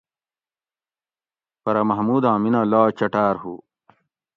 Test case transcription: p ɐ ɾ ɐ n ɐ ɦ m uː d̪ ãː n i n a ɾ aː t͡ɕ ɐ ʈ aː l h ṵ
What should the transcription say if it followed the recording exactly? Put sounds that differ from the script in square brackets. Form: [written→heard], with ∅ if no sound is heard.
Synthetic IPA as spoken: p ɐ ɾ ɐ [n→m] ɐ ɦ m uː d̪ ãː [n→m] i n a [ɾ→l] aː t͡ɕ ɐ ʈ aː [l→ɾ] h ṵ